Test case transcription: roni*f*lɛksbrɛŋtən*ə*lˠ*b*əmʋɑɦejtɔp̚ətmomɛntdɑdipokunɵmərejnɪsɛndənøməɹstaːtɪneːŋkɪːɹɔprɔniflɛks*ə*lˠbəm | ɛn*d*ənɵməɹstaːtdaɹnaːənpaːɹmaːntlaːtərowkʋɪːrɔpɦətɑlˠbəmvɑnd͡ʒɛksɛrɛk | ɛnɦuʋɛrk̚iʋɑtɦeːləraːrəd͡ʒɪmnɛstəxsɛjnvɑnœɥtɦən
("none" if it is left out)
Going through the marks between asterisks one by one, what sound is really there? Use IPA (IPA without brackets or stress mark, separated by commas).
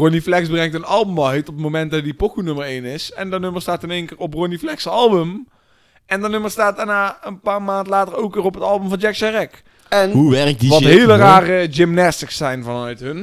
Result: f, ɑ, b, ɑ, d